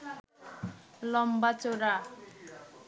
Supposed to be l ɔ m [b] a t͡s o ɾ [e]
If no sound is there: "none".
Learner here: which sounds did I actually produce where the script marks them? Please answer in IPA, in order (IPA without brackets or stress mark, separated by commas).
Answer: b, a